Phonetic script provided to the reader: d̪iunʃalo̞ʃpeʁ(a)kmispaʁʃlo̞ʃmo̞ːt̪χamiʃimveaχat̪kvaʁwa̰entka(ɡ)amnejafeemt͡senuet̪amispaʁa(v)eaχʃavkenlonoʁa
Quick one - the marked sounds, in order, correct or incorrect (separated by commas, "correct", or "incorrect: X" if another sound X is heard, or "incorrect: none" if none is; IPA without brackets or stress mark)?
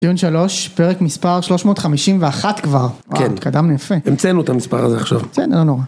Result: incorrect: e, incorrect: d, incorrect: z